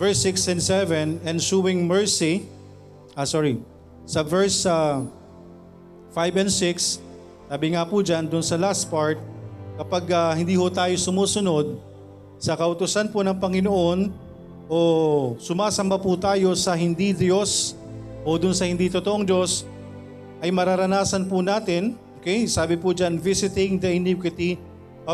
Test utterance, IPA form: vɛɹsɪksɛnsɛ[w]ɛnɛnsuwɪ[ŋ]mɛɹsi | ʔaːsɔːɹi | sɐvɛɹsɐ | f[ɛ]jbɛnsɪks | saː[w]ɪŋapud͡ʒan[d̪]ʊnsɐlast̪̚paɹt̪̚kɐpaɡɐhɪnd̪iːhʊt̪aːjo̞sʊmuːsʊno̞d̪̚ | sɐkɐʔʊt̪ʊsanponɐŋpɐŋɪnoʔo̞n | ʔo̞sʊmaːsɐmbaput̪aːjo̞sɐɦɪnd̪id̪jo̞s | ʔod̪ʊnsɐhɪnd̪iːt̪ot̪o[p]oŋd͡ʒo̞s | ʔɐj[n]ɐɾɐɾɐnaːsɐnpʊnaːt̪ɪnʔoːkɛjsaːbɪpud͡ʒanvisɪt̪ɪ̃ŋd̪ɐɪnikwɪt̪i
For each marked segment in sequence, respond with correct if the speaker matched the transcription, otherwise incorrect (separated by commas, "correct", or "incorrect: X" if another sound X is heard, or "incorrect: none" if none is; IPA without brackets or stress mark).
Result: incorrect: v, correct, incorrect: a, incorrect: b, correct, incorrect: ʔ, incorrect: m